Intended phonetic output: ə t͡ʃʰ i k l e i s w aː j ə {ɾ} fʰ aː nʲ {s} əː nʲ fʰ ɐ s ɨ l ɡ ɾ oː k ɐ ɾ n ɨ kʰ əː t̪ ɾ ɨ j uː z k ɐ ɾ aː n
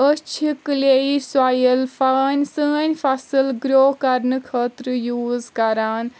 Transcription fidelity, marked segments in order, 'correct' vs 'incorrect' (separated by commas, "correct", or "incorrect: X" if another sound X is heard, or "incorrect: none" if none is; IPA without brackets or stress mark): incorrect: l, correct